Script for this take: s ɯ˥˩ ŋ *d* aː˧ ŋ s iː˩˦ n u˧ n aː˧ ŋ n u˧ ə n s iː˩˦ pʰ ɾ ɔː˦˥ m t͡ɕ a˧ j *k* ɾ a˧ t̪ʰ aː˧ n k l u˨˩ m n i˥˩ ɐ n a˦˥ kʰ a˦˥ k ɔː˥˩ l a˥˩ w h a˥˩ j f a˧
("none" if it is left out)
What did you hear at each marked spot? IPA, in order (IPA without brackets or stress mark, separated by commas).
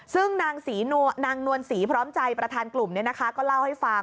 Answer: n, p